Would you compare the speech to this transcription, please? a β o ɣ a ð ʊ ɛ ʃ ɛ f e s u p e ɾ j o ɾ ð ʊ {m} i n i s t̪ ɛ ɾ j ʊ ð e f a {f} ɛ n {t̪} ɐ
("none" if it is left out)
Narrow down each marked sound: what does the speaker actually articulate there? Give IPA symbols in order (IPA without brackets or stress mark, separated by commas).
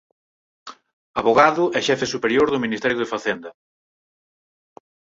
m, θ, d̪